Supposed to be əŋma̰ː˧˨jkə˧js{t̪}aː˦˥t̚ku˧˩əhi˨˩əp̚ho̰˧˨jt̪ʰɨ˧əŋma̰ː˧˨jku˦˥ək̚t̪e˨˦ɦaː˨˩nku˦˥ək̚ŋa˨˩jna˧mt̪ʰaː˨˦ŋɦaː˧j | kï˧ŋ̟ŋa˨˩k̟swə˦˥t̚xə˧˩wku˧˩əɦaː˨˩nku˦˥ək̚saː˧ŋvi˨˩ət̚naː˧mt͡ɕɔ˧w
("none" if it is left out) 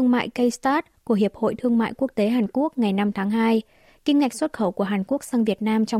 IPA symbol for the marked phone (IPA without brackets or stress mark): t̪